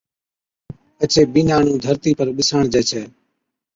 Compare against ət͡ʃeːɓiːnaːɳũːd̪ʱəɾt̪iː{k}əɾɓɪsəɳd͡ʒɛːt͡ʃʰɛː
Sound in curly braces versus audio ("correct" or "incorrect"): incorrect